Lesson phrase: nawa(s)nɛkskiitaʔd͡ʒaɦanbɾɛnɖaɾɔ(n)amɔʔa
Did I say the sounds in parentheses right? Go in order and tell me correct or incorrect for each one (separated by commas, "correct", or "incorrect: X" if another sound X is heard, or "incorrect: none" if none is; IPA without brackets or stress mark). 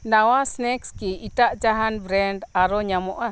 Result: correct, incorrect: ɲ